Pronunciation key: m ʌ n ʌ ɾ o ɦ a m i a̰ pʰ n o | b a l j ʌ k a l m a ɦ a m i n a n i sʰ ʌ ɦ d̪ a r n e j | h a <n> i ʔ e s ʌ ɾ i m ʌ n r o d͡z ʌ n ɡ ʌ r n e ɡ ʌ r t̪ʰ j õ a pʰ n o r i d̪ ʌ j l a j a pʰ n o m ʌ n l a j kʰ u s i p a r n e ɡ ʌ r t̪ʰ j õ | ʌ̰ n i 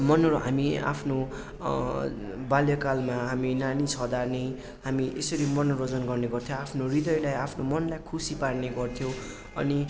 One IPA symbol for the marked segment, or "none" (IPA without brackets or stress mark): m